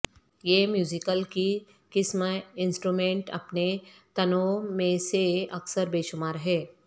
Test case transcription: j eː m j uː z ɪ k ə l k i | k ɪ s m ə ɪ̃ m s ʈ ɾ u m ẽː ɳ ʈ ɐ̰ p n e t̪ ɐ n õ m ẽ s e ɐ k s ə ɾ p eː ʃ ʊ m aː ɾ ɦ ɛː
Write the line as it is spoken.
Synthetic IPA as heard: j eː m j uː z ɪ k ə l k i | k ɪ s m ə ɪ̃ n s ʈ ɾ u m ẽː ɳ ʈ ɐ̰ p n e t̪ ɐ n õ m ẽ s e ɐ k s ə ɾ b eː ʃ ʊ m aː ɾ ɦ ɛː